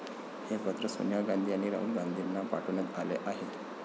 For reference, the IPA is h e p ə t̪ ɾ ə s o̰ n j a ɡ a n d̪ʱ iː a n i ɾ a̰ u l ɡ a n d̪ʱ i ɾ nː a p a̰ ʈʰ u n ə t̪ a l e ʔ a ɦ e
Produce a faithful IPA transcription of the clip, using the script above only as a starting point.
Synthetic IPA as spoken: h e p ə t̪ ɾ ə s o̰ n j a ɡ a n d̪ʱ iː a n i ɾ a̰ u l ɡ a n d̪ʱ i ɾ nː a p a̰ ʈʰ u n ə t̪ a l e ʔ a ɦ e